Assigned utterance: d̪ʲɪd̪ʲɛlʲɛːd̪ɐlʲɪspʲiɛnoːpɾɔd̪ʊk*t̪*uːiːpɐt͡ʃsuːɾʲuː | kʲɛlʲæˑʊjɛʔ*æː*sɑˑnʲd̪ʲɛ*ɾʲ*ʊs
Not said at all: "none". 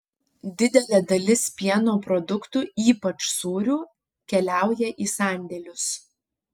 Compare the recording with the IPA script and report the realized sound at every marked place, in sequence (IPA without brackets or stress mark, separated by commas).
t̪, iː, lʲ